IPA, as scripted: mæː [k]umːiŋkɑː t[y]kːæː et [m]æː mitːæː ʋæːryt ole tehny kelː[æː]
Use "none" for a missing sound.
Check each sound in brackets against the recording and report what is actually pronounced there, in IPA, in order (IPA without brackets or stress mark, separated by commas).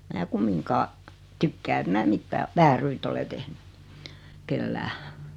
k, y, m, æː